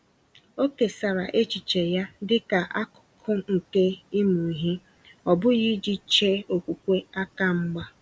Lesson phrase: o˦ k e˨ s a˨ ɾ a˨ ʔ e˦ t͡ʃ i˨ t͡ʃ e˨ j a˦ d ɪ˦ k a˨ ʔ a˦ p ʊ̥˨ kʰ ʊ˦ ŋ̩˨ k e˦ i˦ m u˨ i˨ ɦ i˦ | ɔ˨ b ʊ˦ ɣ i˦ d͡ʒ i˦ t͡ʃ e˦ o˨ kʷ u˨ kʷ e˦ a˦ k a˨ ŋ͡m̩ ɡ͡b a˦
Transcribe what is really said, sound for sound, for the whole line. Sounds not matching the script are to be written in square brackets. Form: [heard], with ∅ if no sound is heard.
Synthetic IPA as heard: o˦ k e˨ s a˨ ɾ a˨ ʔ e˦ t͡ʃ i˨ t͡ʃ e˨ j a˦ d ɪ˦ k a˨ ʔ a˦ [k] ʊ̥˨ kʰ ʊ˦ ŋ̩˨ k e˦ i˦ m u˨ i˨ ɦ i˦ | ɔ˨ b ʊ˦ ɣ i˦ d͡ʒ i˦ t͡ʃ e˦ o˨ kʷ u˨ kʷ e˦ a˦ k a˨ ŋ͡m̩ ɡ͡b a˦